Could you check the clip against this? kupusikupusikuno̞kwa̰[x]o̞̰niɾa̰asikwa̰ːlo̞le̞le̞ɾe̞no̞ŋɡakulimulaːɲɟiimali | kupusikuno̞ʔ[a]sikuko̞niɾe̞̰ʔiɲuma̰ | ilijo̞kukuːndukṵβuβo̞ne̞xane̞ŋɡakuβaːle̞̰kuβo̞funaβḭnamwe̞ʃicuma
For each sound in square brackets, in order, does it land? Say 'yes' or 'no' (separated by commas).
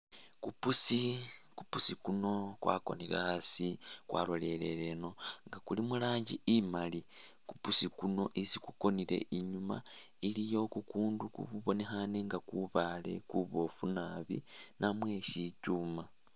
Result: no, no